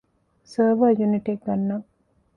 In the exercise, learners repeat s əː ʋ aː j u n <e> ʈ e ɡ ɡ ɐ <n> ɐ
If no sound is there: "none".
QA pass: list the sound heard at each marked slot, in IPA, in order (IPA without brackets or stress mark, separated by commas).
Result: i, nː